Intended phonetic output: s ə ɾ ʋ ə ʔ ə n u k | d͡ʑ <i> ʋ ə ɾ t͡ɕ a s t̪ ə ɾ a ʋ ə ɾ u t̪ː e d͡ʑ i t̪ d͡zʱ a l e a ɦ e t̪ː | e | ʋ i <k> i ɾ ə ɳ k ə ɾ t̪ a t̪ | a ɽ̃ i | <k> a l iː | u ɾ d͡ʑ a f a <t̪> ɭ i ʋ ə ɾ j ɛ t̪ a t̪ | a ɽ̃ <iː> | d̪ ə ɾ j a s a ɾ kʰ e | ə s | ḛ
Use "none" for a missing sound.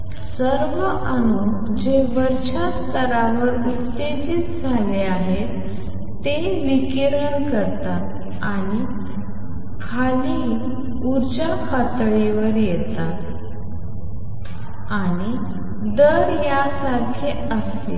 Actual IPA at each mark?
e, k, kʰ, t̪, i

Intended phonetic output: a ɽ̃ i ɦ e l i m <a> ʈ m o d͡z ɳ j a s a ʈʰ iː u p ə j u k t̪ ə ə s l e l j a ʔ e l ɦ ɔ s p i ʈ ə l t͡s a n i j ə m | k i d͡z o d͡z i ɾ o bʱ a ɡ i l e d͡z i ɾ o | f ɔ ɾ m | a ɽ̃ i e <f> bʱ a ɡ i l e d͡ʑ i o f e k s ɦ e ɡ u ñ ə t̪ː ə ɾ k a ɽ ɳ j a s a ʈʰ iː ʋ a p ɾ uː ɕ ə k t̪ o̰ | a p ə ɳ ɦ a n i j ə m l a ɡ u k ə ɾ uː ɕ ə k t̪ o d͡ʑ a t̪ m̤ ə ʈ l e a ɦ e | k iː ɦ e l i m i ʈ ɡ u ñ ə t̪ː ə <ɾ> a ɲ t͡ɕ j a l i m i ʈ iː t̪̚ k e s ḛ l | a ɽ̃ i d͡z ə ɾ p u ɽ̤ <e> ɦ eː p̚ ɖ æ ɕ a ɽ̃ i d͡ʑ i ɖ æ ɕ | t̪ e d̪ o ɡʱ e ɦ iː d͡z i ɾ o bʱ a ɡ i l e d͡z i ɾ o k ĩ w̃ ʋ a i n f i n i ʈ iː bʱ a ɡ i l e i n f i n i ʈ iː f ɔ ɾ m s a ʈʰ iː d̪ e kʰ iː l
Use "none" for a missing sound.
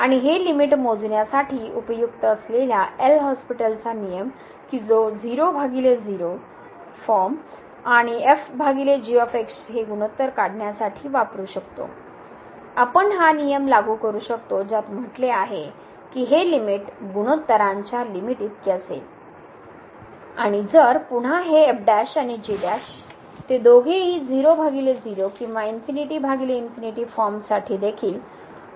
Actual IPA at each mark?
i, f, ɾ, a

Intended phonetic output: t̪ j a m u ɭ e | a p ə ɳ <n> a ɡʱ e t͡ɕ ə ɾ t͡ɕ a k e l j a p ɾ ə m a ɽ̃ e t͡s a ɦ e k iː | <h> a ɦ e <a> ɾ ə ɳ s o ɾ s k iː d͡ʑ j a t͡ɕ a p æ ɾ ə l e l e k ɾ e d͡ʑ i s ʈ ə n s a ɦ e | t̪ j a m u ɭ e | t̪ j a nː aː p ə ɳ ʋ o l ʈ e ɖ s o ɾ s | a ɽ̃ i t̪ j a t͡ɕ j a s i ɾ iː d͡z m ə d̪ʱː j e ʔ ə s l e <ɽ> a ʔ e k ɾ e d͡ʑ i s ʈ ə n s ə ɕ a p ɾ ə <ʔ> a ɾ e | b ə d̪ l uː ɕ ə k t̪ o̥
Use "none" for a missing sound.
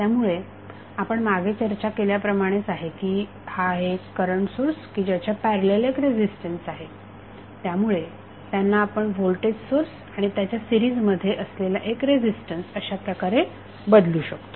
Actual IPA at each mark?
m, h, ə, l, k

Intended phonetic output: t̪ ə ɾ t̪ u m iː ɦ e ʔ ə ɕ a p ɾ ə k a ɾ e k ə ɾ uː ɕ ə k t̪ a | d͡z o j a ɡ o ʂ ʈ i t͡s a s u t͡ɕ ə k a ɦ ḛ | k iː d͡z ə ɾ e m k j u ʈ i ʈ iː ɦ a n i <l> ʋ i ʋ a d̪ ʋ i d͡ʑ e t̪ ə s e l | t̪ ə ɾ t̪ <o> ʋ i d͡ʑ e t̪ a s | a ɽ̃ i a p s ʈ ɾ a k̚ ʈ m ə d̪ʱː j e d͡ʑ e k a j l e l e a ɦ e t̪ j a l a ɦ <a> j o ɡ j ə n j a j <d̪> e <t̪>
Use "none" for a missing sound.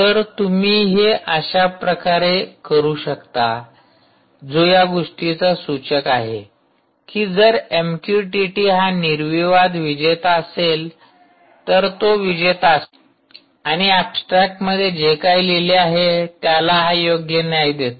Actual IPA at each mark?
ɾ, o, a, d̪, t̪

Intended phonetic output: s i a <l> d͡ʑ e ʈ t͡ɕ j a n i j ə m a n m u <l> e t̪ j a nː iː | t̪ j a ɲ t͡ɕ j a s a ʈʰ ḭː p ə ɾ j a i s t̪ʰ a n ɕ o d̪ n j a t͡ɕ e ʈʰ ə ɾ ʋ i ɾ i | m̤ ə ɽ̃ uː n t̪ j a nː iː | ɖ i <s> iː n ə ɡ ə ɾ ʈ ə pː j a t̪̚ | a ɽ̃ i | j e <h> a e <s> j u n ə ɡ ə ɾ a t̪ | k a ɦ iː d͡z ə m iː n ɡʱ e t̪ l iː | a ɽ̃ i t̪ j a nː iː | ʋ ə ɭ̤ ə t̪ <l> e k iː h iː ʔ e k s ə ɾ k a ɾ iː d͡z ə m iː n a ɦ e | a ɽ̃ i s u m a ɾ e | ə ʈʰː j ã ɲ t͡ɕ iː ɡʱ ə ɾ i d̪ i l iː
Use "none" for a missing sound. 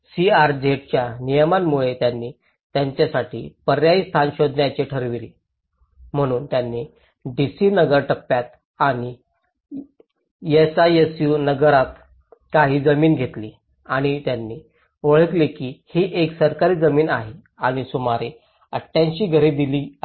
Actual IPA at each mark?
ɾ, ɭ, s, s, s, l

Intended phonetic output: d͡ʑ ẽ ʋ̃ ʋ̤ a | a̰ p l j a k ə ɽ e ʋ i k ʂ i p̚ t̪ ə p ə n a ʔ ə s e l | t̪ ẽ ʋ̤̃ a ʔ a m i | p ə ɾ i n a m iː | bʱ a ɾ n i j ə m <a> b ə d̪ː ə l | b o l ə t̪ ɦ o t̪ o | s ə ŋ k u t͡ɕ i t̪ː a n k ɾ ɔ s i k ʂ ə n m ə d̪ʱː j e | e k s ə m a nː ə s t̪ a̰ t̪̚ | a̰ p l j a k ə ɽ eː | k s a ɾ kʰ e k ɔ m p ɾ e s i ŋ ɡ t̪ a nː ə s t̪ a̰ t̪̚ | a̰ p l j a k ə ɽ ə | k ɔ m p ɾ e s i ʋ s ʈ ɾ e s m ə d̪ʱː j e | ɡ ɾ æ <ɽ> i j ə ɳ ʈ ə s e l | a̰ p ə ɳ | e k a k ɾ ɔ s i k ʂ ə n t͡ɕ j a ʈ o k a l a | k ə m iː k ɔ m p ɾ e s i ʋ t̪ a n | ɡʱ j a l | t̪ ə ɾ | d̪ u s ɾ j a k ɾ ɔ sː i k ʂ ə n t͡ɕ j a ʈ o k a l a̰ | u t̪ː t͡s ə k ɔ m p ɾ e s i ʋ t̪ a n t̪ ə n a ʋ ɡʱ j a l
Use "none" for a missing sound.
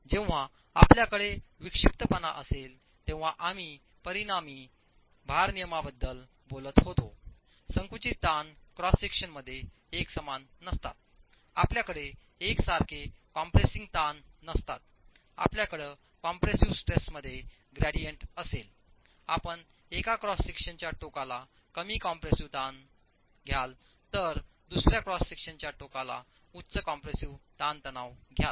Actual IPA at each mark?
a, ɽ

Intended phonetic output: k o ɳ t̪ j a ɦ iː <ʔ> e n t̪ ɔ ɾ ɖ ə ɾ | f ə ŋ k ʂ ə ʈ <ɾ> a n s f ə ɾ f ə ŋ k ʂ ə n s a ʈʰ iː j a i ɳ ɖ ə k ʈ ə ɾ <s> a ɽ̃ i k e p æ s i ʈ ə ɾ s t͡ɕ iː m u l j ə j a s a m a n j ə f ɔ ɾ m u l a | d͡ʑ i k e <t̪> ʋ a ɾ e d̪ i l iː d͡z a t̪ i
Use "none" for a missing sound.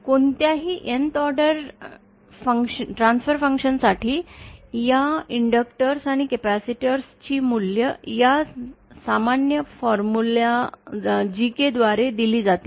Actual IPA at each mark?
ʔ, ɾ, s, d̪

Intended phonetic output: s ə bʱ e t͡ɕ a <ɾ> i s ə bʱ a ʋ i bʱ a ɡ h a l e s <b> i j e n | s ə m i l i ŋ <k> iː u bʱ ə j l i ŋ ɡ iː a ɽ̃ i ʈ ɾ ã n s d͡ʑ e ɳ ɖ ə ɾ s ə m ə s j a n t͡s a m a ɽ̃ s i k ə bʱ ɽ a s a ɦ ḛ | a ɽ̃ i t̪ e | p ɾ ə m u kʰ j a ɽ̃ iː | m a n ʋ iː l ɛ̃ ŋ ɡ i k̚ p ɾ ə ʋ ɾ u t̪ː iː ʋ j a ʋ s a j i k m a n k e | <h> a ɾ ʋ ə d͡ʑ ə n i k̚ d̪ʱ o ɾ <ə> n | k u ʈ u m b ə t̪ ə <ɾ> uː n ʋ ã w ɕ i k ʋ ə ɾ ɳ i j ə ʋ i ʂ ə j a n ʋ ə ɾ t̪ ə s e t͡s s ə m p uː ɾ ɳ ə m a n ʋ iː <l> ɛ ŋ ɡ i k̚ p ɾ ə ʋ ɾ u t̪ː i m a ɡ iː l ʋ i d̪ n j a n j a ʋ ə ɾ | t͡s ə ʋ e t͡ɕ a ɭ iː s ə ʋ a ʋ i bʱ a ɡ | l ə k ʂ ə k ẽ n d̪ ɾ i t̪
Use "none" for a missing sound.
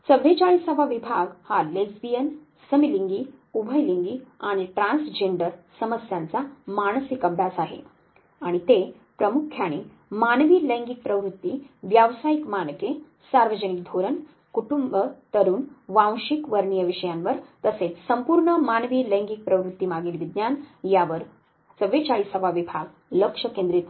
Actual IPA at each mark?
ɭ, b, ɡ, s, ə, ɾ, l

